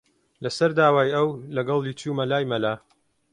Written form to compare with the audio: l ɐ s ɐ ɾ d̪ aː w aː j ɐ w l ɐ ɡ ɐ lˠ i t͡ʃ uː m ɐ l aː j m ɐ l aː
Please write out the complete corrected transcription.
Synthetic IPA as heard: l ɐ s ɐ ɾ d̪ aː w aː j ɐ w l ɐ ɡ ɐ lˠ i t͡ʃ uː m ɐ l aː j m ɐ l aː

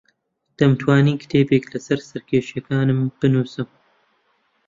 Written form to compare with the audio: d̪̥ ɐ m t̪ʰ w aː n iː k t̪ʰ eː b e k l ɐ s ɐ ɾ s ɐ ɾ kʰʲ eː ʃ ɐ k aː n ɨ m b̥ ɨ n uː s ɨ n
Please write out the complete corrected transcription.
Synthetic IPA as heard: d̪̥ ɐ m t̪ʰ w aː n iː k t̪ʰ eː b e k l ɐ s ɐ ɾ s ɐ ɾ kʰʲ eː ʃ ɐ k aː n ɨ m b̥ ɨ n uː s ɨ m

